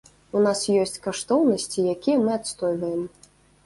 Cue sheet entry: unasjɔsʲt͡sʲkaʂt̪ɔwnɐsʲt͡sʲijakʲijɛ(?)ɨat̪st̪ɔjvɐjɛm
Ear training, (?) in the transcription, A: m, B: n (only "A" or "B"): A